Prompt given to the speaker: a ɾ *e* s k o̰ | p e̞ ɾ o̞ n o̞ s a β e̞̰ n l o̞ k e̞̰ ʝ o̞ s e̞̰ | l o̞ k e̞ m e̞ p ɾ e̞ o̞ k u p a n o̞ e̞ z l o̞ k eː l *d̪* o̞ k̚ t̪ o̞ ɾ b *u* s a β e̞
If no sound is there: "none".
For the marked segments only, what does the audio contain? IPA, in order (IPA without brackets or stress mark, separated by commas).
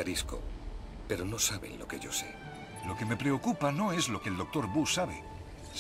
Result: i, d̪, u